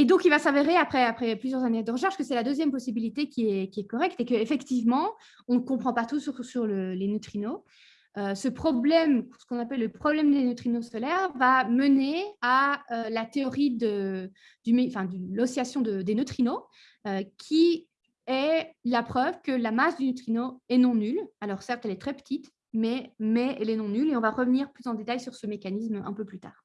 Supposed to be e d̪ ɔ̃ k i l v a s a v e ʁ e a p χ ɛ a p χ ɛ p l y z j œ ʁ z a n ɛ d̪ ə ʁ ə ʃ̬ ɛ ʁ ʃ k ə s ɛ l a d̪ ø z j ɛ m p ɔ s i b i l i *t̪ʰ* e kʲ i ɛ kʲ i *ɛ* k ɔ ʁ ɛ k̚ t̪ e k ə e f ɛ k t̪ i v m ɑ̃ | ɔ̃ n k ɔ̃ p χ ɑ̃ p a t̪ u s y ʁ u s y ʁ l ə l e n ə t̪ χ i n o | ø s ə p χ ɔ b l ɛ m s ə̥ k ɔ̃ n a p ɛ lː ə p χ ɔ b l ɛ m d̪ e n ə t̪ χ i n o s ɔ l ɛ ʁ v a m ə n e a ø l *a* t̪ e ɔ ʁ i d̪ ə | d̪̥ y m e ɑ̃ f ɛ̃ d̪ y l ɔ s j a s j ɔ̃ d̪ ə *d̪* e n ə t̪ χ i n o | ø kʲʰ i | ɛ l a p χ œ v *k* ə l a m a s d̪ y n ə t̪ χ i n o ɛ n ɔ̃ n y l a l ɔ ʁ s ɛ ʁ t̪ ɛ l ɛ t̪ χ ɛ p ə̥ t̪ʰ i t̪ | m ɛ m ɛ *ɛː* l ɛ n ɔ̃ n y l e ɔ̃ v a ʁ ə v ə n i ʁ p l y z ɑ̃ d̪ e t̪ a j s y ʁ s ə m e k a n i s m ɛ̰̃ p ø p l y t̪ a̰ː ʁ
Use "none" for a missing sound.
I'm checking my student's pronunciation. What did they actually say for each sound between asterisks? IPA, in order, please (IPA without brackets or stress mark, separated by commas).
t̪, ɛ, a, d̪, k, ɛ